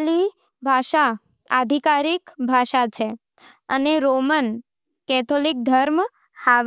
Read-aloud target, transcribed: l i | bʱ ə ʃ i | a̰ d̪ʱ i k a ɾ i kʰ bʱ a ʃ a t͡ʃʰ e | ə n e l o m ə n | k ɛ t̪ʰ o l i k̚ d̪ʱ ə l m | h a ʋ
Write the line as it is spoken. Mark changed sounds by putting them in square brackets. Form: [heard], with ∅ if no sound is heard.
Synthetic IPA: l i | bʱ [a] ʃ [a] | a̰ d̪ʱ i k a ɾ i [k] bʱ a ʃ a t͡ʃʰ e | ə n e [ɾ] o m ə n | k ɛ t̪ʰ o l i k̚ d̪ʱ ə [ɾ] m | h a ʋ